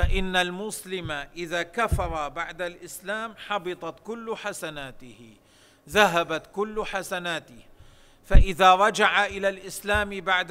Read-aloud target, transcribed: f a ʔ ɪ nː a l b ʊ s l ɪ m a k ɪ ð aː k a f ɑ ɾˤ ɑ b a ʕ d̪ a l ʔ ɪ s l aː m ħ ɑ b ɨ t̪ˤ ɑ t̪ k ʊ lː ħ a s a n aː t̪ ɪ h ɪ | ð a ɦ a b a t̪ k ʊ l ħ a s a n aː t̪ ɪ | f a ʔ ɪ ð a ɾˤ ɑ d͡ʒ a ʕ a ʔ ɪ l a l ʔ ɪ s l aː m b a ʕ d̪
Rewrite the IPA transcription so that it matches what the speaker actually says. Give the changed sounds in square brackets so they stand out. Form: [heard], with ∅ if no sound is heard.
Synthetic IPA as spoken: f a ʔ ɪ nː a l [m] ʊ s l ɪ m a [ʔ] ɪ ð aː k a f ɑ ɾˤ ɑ b a ʕ d̪ a l ʔ ɪ s l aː m ħ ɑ b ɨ t̪ˤ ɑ t̪ k ʊ lː ħ a s a n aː t̪ ɪ h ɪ | ð a ɦ a b a t̪ k ʊ [lː] ħ a s a n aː t̪ ɪ | f a ʔ ɪ ð a ɾˤ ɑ d͡ʒ a ʕ a ʔ ɪ l a l ʔ ɪ s l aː m b a ʕ d̪